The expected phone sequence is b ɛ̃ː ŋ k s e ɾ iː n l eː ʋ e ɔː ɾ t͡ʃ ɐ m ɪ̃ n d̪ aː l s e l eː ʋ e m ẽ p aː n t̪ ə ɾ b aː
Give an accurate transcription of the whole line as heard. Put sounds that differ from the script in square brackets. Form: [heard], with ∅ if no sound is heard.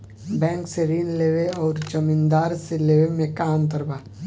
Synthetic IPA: b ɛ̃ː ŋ k s e ɾ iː n l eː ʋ e ɔː ɾ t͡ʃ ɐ m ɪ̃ n d̪ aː [ɾ] s e l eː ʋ e m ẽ [k] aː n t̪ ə ɾ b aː